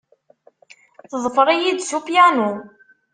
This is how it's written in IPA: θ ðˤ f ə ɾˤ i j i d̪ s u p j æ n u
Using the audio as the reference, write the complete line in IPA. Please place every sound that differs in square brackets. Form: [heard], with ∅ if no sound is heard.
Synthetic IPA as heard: θ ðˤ f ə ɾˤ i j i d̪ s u p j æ n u

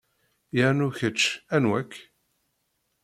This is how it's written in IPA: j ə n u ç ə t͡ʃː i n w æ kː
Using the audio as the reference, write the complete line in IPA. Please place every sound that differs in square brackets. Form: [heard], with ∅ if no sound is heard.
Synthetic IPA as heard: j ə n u ç ə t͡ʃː [æ] n w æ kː

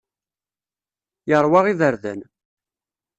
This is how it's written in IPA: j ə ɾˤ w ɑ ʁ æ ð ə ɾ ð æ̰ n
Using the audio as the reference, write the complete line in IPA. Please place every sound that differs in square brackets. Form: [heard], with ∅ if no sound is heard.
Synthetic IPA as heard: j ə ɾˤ w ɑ ʁ [i] ð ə ɾ ð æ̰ n

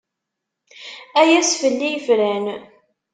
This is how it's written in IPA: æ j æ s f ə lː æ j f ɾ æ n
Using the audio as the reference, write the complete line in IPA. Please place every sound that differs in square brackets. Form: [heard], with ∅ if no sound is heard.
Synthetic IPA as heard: æ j æ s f ə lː [i] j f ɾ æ n

